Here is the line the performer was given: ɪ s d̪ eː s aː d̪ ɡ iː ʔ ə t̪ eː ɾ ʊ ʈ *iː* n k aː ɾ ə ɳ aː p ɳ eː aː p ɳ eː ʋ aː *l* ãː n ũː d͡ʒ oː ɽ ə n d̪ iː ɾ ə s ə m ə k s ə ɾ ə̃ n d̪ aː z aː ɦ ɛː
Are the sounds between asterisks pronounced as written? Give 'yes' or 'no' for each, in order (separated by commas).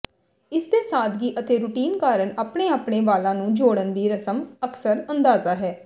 yes, yes